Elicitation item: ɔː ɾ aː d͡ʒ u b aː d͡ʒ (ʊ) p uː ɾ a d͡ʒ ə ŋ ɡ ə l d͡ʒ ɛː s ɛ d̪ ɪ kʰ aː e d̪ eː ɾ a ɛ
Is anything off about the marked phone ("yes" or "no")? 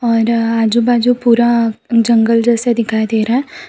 yes